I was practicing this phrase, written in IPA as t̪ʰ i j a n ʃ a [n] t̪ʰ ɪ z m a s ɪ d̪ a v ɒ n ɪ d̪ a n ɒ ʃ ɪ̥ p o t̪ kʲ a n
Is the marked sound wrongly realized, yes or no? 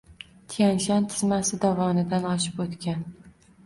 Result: no